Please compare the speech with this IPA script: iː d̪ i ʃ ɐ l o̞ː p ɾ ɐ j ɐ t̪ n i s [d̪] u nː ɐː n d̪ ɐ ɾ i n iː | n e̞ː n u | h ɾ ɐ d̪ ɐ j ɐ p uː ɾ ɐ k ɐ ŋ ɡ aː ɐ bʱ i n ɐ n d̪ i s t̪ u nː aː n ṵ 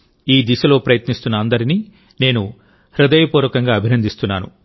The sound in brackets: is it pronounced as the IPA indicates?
no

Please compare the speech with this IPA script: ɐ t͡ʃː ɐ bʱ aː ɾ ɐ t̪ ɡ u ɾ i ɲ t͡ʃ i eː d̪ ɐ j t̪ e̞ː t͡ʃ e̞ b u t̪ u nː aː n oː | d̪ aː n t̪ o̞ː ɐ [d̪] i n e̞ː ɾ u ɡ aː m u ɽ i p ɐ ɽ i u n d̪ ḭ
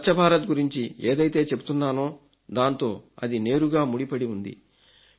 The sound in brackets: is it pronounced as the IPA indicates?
yes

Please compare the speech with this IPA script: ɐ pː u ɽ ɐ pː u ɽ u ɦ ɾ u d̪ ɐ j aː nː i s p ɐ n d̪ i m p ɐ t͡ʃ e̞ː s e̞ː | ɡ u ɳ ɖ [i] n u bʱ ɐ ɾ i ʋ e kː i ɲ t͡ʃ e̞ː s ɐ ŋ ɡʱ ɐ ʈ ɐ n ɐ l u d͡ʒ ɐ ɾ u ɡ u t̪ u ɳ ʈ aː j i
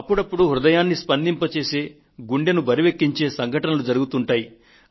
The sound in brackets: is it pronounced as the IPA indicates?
no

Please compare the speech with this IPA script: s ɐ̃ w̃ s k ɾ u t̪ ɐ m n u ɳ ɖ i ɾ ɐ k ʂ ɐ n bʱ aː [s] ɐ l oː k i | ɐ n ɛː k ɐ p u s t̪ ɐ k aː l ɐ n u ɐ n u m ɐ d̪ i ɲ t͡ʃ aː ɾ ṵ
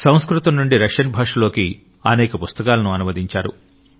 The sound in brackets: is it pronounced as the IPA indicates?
no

